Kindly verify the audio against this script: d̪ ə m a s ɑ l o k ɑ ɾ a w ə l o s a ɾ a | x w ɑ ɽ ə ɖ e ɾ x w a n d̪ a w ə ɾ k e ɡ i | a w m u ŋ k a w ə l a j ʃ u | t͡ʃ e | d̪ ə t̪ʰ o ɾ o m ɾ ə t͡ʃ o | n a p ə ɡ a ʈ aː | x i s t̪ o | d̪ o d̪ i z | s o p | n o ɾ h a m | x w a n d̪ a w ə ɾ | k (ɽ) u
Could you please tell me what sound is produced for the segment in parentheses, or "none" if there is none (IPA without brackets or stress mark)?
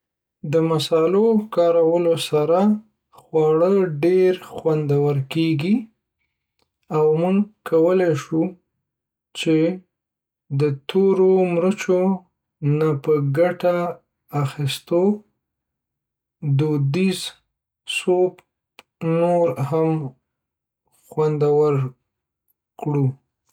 ɽ